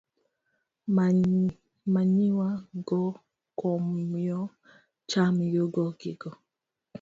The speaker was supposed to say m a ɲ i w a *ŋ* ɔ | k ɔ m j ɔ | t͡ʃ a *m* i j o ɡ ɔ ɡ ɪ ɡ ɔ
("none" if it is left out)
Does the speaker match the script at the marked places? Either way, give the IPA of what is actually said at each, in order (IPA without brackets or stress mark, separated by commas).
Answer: ɡ, m